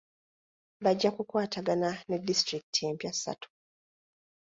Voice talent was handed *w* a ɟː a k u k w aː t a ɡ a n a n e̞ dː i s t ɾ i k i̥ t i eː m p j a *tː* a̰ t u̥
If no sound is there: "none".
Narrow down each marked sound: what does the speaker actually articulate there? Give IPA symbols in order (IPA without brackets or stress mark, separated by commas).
β, sː